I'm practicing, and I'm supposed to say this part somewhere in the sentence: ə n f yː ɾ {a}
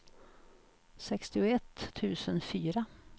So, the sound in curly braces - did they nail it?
yes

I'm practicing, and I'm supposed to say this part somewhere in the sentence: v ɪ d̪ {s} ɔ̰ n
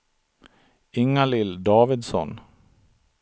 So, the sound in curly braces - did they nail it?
yes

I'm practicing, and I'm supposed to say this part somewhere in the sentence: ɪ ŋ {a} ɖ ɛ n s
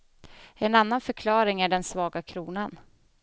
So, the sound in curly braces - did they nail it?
no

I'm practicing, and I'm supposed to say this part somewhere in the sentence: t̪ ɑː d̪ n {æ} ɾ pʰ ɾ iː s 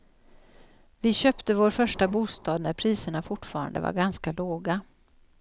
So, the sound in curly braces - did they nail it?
yes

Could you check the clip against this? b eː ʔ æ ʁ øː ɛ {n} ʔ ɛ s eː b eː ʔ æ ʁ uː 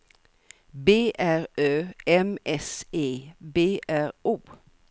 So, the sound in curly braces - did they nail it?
no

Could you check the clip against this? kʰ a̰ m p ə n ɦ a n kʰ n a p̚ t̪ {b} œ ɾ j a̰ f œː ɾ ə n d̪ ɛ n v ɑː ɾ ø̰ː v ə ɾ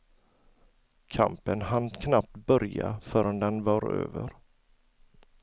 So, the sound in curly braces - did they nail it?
yes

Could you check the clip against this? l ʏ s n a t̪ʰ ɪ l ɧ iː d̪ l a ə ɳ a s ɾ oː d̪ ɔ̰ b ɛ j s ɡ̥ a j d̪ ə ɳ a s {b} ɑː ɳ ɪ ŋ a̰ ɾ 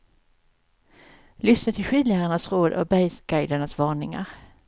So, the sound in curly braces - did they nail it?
no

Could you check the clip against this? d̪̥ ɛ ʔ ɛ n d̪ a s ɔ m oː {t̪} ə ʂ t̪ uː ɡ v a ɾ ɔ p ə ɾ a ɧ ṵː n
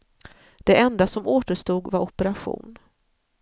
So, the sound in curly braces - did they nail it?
yes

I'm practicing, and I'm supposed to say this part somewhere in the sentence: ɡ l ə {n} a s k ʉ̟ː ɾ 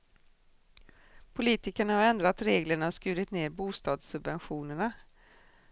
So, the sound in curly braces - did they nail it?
no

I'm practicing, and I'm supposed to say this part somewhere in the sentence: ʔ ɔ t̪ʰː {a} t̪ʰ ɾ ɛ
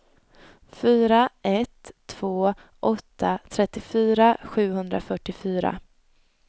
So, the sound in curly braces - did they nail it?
yes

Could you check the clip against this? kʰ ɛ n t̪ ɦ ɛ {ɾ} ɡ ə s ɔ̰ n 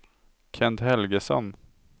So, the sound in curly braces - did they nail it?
no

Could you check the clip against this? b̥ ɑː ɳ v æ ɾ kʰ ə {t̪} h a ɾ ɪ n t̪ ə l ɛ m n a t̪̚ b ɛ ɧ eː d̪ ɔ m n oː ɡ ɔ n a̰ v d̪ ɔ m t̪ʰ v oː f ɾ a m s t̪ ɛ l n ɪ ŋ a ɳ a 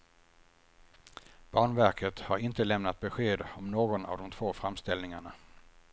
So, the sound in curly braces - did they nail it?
yes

